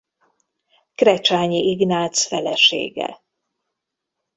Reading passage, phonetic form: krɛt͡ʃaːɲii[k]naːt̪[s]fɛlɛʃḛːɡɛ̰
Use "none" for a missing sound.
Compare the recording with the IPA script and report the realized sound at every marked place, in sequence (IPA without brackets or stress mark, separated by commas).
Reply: ɡ, s